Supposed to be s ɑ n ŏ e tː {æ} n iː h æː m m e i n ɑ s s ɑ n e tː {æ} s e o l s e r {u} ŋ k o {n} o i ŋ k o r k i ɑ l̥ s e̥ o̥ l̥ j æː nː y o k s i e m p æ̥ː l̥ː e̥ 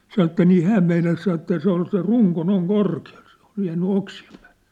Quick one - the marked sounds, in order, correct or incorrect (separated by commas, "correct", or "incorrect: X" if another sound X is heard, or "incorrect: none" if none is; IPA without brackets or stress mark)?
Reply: correct, correct, correct, correct